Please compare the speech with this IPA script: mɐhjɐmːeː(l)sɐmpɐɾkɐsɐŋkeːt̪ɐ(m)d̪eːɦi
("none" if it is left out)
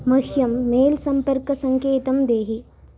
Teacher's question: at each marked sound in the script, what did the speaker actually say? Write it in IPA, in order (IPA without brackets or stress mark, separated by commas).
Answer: l, m